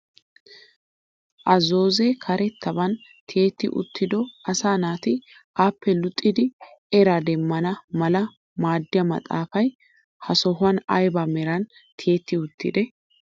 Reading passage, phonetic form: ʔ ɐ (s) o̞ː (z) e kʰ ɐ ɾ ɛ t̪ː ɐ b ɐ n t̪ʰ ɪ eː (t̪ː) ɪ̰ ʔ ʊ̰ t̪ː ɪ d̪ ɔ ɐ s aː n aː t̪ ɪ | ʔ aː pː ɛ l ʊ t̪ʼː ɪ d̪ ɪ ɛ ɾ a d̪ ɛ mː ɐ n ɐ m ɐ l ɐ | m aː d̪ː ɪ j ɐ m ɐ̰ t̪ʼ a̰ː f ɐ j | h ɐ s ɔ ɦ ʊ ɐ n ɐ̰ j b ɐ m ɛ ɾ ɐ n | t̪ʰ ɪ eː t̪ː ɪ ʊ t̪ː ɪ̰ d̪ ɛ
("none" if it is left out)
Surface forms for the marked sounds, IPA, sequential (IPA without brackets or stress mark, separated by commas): z, z, t̪ː